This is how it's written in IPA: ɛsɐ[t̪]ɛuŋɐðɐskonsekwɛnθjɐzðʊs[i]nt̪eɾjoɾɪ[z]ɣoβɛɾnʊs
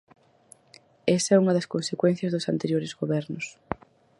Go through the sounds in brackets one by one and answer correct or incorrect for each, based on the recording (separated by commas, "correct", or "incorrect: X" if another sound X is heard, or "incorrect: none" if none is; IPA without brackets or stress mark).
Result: incorrect: none, incorrect: a, correct